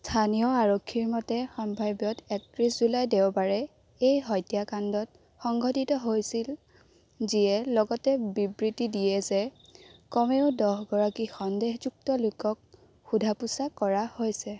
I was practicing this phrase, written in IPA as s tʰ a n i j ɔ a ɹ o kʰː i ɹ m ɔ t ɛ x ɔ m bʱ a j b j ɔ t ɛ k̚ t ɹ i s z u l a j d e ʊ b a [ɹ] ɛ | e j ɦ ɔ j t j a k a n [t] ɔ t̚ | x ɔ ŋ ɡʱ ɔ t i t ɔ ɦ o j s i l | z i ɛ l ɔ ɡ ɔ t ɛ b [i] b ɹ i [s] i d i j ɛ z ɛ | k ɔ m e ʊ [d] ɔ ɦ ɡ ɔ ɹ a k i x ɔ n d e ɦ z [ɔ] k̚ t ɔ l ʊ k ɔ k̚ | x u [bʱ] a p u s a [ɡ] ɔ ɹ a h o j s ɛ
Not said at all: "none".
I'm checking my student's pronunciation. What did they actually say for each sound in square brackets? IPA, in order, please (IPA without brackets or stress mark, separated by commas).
ɹ, d, i, t, d, u, dʱ, k